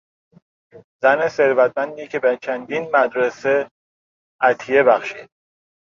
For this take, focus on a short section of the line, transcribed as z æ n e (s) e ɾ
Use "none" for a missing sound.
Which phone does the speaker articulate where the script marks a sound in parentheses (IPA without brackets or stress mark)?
s